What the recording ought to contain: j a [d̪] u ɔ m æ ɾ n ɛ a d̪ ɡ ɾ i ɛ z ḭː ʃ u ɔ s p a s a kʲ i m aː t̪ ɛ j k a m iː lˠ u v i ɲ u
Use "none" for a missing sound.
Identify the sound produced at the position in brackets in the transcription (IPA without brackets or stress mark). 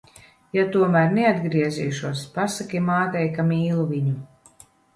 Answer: t̪